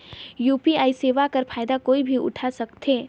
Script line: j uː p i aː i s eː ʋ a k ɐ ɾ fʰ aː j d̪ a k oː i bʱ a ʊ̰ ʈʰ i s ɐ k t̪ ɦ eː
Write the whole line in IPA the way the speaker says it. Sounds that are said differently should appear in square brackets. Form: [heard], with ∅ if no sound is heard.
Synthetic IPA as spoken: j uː p i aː i s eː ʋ a k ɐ ɾ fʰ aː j d̪ a k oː i bʱ [i] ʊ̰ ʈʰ [a] s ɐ k t̪ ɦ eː